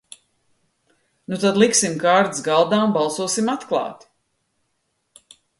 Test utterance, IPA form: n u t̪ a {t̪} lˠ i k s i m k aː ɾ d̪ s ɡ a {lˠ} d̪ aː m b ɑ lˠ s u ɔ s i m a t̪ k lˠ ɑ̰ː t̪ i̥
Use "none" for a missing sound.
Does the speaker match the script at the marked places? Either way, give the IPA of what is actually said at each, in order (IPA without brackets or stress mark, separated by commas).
d̪, lˠ